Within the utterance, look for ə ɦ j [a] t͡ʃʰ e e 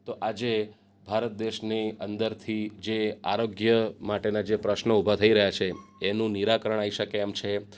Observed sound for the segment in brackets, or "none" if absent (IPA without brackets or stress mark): a